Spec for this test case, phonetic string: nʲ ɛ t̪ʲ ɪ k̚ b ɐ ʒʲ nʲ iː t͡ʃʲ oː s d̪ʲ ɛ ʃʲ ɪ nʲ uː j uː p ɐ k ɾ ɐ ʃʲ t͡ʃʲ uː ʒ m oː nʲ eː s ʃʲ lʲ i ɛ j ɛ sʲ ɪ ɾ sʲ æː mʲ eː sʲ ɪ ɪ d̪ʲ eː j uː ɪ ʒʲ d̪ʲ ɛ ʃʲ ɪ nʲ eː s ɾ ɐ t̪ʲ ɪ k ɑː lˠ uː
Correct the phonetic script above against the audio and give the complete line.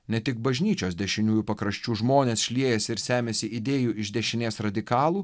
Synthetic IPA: nʲ ɛ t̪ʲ ɪ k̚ b ɐ ʒʲ nʲ iː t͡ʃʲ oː s d̪ʲ ɛ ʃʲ ɪ nʲ uː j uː p ɐ k ɾ ɐ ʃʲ t͡ʃʲ uː ʒ m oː nʲ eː s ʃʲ lʲ i ɛ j ɛ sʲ ɪ ɾ sʲ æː mʲ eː sʲ ɪ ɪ d̪ʲ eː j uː ɪ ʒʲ d̪ʲ ɛ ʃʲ ɪ nʲ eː s ɾ ɐ d̪ʲ ɪ k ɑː lˠ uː